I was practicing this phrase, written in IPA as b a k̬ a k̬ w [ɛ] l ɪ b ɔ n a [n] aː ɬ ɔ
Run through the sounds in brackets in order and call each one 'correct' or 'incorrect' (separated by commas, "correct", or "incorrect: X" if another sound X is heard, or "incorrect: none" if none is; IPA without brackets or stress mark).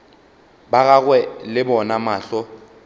correct, incorrect: m